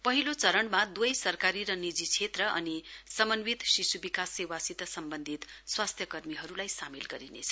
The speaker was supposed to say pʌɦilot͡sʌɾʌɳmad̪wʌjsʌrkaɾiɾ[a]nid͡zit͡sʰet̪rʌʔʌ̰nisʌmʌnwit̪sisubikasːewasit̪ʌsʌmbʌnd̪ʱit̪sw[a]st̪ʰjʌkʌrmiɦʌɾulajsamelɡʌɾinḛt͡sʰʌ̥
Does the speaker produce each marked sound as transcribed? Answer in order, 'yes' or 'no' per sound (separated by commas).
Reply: no, yes